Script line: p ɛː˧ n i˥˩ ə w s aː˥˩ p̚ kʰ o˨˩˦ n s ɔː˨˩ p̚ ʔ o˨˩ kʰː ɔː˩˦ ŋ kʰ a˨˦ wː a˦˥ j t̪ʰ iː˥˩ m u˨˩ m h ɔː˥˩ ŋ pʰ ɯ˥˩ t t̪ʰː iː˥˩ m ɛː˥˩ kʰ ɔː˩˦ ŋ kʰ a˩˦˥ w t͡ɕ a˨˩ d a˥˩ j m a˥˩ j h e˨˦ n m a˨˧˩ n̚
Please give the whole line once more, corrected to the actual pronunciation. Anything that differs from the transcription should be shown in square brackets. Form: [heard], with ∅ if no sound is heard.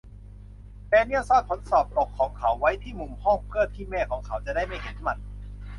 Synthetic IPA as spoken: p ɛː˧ n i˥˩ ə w s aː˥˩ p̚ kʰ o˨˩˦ n s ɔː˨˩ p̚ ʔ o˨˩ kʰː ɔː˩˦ ŋ kʰ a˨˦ wː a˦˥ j t̪ʰ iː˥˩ m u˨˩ m h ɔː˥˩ ŋ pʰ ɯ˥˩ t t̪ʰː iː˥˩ m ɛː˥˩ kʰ ɔː˩˦ ŋ kʰ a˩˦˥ w t͡ɕ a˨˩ d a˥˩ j m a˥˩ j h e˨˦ n m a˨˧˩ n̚